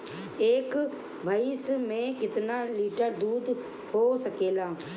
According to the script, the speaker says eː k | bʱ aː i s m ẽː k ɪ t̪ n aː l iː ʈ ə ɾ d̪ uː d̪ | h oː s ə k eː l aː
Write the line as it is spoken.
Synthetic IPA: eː k | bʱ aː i s m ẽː k ɪ t̪ n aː l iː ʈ ə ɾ d̪ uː d̪ | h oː s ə k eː l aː